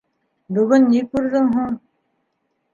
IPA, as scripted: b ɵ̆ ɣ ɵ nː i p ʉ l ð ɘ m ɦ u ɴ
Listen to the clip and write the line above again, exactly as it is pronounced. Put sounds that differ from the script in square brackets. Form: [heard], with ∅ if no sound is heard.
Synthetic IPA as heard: b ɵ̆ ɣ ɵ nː i [k] ʉ [ɾ] ð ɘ [ŋ] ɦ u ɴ